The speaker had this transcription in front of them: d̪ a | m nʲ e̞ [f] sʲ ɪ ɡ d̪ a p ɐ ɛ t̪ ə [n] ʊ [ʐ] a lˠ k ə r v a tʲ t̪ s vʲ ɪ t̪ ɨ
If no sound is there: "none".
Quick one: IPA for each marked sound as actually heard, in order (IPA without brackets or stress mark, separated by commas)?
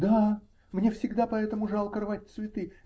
f, m, ʐ